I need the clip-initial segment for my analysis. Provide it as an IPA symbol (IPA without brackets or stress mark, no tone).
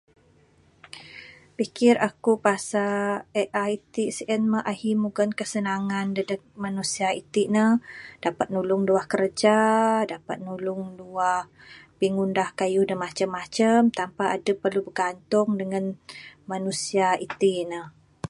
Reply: p